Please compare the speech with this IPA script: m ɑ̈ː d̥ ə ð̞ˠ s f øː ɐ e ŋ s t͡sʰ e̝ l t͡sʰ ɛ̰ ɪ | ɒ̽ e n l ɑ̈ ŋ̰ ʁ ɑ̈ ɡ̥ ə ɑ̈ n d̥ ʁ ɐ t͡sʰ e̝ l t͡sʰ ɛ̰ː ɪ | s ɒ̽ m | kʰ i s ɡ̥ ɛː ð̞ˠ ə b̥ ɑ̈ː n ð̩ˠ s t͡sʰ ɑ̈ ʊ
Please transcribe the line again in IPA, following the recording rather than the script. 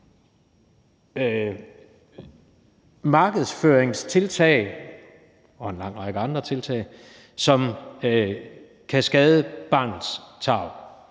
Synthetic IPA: m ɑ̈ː ɡ̥ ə ð̞ˠ s f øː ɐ e ŋ s t͡sʰ e̝ l t͡sʰ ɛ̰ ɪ | ɒ̽ e n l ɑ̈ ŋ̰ ʁ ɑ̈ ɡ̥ ə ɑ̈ n d̥ ʁ ɐ t͡sʰ e̝ l t͡sʰ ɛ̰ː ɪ | s ɒ̽ m | kʰ æ s ɡ̥ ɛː ð̞ˠ ə b̥ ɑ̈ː n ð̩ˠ s t͡sʰ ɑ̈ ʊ